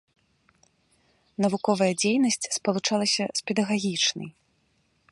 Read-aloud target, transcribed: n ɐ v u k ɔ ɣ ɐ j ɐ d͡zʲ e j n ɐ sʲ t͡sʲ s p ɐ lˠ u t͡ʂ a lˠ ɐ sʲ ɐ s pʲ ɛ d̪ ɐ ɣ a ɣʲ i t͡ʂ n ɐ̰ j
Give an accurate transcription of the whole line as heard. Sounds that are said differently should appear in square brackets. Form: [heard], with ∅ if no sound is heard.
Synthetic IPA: n ɐ v u k ɔ [v] ɐ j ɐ d͡zʲ e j n ɐ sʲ t͡sʲ s p ɐ lˠ u t͡ʂ a lˠ ɐ sʲ ɐ s pʲ ɛ d̪ ɐ ɣ a ɣʲ i t͡ʂ n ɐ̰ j